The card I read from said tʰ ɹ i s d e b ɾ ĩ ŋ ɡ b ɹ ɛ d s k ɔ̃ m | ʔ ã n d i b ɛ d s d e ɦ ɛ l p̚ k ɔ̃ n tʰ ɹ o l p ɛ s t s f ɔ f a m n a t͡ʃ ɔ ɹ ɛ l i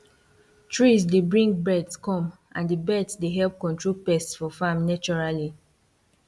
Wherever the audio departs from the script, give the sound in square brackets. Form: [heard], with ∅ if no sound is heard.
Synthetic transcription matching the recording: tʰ ɹ i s d e b [ɹ] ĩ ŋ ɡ b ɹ ɛ d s k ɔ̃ m | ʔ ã n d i b ɛ d s d e ɦ ɛ l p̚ k ɔ̃ n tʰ ɹ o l p ɛ s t s f ɔ f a m n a t͡ʃ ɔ ɹ [a] l i